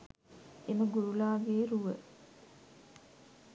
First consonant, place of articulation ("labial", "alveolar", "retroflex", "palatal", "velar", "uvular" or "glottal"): labial